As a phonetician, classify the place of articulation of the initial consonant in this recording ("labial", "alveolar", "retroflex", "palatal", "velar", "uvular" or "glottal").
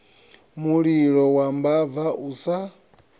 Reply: labial